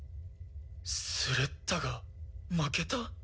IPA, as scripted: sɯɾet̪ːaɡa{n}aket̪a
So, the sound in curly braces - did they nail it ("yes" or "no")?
no